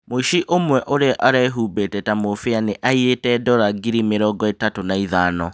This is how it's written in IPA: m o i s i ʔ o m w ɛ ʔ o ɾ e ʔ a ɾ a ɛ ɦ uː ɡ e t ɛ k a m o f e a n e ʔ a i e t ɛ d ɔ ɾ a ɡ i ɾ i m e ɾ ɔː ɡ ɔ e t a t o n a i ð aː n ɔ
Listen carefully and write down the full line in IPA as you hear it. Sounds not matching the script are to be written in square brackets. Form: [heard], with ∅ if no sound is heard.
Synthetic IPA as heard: m o i [ʃ] i ʔ o m w ɛ ʔ o ɾ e ʔ a ɾ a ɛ ɦ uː [b] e t ɛ [t] a m o f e a n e ʔ a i e t ɛ d ɔ ɾ a ɡ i ɾ i m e ɾ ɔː ɡ ɔ e t a t o n a i ð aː n ɔ